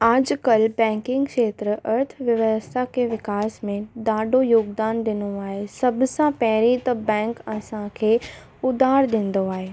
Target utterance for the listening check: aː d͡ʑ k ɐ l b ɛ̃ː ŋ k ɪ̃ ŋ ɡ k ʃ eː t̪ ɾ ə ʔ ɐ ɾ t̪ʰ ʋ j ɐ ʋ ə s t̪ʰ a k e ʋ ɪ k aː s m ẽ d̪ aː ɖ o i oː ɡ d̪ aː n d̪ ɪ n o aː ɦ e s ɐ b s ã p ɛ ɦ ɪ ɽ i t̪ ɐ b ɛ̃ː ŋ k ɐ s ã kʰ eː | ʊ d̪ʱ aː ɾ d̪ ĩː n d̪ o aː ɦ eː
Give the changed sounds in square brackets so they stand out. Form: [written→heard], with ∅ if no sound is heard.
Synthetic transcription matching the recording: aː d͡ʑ k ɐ l b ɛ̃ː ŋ k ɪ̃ ŋ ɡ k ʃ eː t̪ ɾ ə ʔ ɐ ɾ t̪ʰ ʋ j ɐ ʋ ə s t̪ʰ a k e ʋ ɪ k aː s m ẽ d̪ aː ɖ o [i→j] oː ɡ d̪ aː n d̪ ɪ n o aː ɦ e s ɐ b s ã p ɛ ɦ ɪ [ɽ→ɾ] i t̪ ɐ b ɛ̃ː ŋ k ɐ s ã kʰ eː | ʊ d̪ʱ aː ɾ d̪ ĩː n d̪ o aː ɦ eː